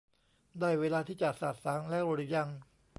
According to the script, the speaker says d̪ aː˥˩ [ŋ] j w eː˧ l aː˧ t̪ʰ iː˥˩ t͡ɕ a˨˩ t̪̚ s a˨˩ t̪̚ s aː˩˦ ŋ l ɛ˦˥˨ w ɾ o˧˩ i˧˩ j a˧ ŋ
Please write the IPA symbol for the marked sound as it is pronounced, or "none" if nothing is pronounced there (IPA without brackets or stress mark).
none